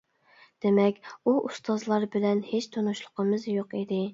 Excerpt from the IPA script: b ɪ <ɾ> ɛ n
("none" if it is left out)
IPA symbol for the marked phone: l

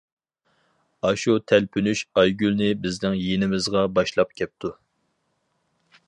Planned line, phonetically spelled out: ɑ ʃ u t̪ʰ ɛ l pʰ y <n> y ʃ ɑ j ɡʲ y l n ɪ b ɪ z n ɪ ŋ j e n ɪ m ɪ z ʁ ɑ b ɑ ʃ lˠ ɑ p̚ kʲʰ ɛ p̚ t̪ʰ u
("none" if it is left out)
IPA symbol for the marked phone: n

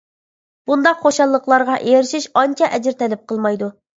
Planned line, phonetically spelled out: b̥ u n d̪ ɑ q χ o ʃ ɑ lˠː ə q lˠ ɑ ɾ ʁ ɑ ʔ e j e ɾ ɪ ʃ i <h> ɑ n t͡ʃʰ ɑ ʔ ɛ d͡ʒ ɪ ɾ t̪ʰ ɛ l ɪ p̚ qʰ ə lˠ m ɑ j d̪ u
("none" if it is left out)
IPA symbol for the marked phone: ʃ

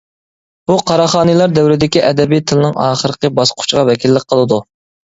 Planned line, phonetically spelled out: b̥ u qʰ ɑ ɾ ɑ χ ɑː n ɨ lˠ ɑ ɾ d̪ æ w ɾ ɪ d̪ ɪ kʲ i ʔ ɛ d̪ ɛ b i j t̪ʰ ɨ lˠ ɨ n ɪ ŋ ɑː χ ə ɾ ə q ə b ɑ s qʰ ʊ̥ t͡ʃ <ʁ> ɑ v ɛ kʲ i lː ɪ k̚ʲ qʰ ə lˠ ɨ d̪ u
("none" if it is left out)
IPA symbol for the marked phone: ʁ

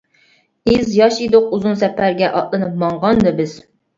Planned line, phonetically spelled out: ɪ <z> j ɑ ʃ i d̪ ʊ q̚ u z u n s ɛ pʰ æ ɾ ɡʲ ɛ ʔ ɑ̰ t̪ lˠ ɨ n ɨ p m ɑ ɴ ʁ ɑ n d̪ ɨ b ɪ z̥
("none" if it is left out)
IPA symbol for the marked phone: z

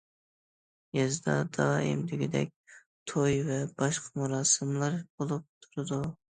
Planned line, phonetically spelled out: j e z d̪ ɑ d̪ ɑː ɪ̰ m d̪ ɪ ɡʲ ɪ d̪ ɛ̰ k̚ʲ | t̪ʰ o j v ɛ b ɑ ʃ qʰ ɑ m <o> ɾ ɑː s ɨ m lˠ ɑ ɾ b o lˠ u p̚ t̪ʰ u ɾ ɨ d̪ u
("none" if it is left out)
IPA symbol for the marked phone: u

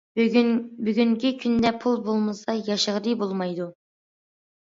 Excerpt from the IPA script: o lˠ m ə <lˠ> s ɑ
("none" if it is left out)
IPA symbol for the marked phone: none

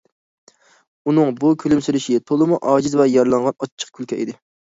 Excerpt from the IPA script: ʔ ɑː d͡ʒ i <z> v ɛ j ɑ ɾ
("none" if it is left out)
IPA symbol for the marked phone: z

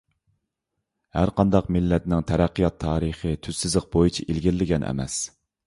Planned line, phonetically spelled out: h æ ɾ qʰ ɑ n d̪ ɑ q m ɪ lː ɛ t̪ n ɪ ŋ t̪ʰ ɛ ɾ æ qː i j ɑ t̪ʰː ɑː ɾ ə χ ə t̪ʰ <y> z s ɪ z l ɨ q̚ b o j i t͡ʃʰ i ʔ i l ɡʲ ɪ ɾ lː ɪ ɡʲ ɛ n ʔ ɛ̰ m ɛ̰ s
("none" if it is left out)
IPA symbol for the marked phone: y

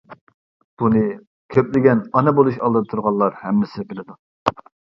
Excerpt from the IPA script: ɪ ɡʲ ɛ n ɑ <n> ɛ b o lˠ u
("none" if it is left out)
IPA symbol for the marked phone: n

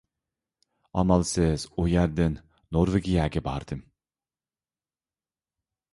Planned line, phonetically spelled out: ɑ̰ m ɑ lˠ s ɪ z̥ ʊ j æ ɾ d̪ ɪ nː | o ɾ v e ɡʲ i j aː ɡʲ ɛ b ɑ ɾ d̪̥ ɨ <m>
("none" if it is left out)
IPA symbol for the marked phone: m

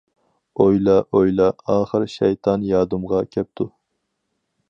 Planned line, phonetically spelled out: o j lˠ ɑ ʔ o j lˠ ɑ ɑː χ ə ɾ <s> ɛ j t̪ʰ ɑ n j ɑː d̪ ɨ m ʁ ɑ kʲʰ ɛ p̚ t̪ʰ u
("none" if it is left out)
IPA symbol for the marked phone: ʃ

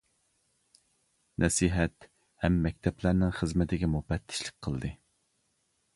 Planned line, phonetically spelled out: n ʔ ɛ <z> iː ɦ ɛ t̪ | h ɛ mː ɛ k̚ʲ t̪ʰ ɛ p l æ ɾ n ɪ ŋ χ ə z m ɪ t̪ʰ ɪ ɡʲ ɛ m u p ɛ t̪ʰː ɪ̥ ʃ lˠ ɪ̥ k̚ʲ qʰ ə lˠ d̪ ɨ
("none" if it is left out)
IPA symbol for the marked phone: s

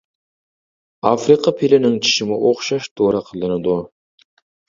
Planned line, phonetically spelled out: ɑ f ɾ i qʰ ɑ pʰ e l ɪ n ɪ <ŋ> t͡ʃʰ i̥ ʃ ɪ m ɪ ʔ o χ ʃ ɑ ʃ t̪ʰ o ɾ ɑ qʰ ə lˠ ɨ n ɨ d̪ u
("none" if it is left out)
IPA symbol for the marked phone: ŋ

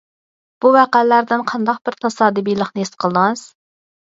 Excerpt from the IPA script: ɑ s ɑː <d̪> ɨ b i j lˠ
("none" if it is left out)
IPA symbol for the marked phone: d̪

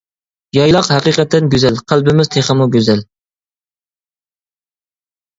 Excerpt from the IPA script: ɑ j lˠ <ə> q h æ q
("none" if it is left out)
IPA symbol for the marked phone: ɑ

